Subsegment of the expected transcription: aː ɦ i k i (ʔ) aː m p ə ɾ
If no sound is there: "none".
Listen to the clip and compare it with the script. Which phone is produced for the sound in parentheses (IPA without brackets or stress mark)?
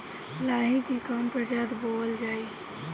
k